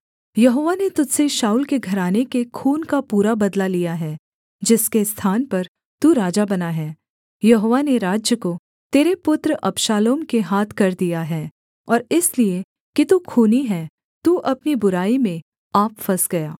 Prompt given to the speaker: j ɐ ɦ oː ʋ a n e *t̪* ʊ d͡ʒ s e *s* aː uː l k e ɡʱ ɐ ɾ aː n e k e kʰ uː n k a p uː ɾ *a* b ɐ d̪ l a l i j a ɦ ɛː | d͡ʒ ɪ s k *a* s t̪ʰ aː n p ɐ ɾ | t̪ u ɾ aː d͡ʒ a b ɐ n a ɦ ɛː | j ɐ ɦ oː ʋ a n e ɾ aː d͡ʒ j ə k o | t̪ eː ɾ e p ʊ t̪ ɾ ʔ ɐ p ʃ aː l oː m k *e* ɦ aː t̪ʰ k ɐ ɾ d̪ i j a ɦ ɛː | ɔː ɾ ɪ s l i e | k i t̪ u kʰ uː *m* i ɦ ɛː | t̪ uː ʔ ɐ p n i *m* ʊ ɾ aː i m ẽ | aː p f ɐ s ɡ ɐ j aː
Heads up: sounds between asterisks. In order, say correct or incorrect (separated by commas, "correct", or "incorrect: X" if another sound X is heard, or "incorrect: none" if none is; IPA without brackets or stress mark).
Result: correct, incorrect: ʃ, correct, incorrect: e, correct, incorrect: n, incorrect: b